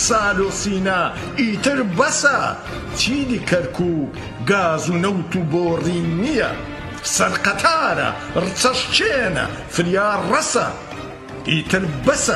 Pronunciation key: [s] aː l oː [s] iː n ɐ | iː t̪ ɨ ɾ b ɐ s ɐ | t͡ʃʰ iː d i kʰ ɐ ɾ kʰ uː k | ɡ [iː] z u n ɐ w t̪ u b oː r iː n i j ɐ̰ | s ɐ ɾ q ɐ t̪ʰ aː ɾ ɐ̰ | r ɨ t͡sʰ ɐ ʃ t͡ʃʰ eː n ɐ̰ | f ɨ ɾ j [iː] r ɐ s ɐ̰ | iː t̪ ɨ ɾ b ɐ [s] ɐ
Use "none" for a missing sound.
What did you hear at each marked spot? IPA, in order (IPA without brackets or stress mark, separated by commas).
s, s, aː, aː, s